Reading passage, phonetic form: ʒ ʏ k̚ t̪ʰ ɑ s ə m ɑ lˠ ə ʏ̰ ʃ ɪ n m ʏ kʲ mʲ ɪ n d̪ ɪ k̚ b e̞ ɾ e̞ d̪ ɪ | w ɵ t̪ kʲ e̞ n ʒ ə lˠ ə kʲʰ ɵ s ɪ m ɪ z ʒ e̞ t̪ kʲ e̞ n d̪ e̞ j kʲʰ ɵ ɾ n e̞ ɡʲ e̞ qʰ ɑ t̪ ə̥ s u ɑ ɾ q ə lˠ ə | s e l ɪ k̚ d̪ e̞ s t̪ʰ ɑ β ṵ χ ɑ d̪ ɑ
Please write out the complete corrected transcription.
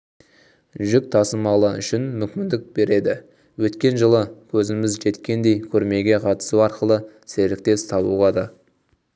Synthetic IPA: ʒ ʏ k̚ t̪ʰ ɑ s ə m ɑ lˠ ə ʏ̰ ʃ ɪ n m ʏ kʲ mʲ ɪ n d̪ ɪ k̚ b e̞ ɾ e̞ d̪ ɪ | w ɵ t̪ kʲ e̞ n ʒ ə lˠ ə kʲʰ ɵ z ɪ m ɪ z ʒ e̞ t̪ kʲ e̞ n d̪ e̞ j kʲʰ ɵ ɾ m e̞ ɡʲ e̞ qʰ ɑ t̪ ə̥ s u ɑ ɾ q ə lˠ ə | s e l ɪ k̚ t̪ e̞ s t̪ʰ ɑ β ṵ ʁ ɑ d̪ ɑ